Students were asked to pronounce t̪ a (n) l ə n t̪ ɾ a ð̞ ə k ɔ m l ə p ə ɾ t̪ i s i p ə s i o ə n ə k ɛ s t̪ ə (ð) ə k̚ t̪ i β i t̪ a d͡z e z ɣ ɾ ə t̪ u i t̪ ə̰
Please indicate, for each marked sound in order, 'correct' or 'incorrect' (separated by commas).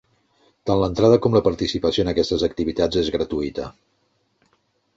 correct, incorrect